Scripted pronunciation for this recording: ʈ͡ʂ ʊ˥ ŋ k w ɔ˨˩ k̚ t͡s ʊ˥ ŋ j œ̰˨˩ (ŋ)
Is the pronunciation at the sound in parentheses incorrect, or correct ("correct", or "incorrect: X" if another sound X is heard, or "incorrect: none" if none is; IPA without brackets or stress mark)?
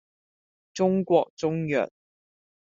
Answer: incorrect: n